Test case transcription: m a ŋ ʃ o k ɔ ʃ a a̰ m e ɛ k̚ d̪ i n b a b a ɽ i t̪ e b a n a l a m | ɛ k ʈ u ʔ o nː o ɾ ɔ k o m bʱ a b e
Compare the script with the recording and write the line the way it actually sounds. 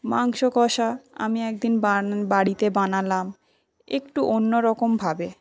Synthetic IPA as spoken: m a ŋ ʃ o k ɔ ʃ a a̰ m i ɛ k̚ d̪ i n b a b a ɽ i t̪ e b a n a l a m | e k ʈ u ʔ o nː o ɾ ɔ k o m bʱ a b e